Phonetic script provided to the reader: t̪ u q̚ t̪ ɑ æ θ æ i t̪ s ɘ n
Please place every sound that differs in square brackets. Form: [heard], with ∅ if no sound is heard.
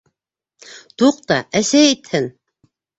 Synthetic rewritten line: t̪ u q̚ t̪ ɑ æ [s] æ i t̪ [h] ɘ n

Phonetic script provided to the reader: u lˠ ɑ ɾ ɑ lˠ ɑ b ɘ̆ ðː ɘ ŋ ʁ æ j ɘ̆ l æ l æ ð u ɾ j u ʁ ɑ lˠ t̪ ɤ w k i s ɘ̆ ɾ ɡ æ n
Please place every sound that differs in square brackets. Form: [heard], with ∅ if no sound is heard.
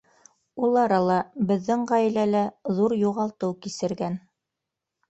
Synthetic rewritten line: u lˠ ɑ ɾ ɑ lˠ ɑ b ɘ̆ ðː ɘ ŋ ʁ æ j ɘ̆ l æ l æ ð u ɾ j u ʁ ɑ lˠ t̪ ɤ w k i s ɘ̆ ɾ ɡ æ n

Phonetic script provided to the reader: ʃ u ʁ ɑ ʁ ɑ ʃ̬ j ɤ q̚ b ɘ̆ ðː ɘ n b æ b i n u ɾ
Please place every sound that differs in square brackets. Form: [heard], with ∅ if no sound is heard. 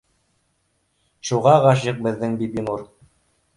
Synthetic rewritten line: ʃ u ʁ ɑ ʁ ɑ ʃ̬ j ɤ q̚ b ɘ̆ ðː ɘ [ŋ] b [i] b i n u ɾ

